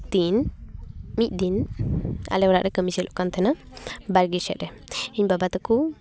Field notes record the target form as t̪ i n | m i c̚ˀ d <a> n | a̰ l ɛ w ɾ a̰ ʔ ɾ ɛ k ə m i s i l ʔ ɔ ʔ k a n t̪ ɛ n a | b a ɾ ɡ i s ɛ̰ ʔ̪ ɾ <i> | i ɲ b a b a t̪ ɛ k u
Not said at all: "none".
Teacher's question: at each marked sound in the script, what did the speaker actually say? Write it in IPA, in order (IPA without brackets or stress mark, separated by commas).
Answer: i, ɛ